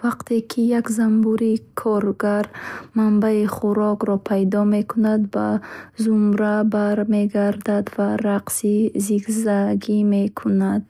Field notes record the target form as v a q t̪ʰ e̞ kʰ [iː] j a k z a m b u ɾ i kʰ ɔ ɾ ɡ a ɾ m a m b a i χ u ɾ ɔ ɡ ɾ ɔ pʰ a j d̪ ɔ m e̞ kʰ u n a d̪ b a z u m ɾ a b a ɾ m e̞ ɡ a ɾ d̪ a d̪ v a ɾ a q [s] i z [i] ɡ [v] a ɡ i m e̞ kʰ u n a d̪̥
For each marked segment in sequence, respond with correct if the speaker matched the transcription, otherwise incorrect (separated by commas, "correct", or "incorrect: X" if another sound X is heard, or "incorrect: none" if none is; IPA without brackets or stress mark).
incorrect: i, correct, correct, incorrect: z